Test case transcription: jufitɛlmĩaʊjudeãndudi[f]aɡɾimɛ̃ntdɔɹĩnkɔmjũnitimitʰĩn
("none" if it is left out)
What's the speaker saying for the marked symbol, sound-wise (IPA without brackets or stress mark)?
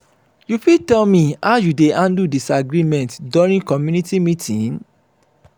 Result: s